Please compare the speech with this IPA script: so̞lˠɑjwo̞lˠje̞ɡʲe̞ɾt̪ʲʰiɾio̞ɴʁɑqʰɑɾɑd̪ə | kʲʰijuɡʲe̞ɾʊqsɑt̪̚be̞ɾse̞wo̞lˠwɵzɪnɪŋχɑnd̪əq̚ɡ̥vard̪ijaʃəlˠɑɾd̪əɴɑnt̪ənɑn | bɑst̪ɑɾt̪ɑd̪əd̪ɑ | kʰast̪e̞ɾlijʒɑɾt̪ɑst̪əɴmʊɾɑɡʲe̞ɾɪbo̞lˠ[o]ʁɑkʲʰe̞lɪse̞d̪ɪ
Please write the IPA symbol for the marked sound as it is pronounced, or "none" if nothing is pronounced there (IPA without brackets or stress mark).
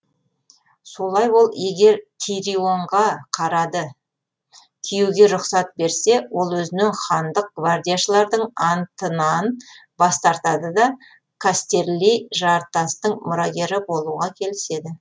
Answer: u